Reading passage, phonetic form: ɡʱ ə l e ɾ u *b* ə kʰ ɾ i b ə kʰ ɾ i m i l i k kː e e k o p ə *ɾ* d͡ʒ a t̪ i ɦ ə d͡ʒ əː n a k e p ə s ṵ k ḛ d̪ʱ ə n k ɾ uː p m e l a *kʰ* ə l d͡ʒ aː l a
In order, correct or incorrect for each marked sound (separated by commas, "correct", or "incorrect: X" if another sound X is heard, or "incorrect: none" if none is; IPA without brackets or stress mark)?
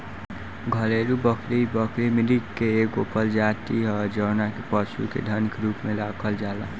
correct, incorrect: l, correct